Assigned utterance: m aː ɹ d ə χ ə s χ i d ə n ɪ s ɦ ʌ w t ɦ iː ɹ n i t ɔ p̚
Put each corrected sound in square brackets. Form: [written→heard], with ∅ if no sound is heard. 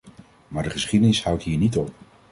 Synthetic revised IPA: m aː ɹ d ə χ ə s χ i d ə n ɪ s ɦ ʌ w t ɦ iː ɹ n i t ɔ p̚